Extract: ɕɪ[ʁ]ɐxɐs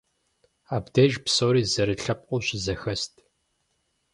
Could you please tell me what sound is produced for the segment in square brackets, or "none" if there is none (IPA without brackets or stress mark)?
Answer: z